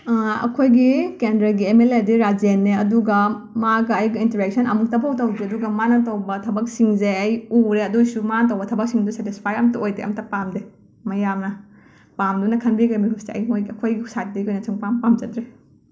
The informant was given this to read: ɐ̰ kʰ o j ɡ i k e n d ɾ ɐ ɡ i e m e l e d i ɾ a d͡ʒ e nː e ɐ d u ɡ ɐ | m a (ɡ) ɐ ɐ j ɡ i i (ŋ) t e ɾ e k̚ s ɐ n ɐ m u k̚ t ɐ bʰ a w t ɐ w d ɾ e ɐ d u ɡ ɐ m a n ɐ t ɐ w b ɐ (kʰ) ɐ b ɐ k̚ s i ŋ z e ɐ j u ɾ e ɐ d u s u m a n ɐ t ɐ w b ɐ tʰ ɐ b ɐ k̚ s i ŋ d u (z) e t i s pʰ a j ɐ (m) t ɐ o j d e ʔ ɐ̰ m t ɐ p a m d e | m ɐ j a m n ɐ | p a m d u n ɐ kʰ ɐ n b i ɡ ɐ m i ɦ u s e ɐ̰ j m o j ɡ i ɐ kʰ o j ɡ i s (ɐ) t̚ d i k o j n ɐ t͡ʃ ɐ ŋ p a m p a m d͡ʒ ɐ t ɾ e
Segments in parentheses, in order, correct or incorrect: correct, incorrect, incorrect, incorrect, correct, incorrect

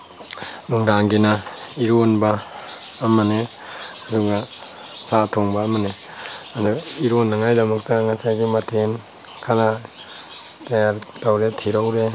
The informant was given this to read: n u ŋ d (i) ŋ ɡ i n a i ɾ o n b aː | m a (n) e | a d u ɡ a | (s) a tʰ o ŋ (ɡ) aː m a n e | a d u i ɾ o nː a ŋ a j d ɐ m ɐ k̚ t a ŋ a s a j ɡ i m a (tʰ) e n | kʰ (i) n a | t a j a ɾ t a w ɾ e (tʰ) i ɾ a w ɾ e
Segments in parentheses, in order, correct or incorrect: incorrect, correct, correct, incorrect, correct, incorrect, correct

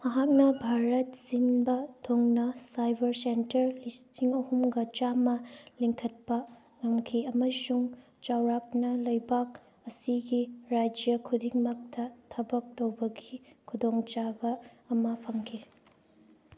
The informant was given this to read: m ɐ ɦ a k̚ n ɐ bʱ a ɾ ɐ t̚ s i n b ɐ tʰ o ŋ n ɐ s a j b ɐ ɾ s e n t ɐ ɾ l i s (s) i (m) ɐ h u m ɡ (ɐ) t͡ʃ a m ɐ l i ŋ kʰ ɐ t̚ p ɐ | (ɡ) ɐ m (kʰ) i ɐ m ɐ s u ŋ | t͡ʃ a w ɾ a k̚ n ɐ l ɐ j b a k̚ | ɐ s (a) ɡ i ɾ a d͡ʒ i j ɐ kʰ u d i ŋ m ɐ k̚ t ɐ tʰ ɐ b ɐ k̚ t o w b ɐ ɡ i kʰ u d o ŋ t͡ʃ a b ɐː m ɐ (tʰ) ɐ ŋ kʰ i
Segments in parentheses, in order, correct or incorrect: incorrect, incorrect, correct, incorrect, correct, incorrect, incorrect

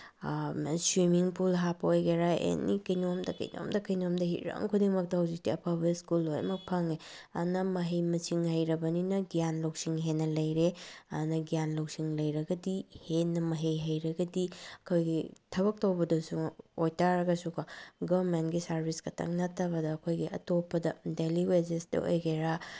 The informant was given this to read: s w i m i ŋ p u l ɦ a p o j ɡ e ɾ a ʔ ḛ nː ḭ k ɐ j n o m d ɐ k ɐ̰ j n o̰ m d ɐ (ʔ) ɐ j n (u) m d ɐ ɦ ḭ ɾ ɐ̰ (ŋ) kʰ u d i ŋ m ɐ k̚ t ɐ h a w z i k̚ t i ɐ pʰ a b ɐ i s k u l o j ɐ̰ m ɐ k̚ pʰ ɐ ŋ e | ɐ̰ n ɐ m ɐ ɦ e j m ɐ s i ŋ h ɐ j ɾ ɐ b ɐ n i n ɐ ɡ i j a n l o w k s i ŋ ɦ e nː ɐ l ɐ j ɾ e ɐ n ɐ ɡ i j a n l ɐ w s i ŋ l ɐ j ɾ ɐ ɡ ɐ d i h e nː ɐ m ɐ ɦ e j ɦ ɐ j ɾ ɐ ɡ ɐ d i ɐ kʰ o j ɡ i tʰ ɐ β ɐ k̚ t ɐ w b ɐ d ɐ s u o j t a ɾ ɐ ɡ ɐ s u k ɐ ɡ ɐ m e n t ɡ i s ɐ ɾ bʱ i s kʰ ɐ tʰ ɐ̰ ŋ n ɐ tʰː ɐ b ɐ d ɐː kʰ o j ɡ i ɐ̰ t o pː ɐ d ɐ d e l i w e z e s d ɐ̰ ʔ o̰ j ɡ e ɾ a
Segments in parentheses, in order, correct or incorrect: incorrect, incorrect, correct

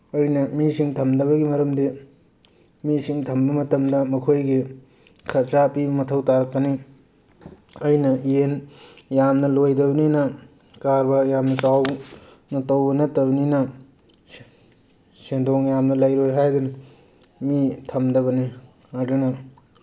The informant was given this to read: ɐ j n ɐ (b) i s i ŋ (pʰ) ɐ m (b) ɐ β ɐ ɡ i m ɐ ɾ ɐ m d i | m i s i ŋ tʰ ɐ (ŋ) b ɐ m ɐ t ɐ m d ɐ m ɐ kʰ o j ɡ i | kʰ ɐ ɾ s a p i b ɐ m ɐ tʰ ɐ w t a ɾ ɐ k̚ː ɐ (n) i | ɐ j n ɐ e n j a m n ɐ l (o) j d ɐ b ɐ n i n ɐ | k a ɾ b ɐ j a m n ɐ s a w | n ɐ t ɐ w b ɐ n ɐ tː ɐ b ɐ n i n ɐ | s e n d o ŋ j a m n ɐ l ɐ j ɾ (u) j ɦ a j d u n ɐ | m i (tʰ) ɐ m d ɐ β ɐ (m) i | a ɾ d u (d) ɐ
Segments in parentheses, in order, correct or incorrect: incorrect, incorrect, incorrect, incorrect, correct, correct, incorrect, correct, incorrect, incorrect

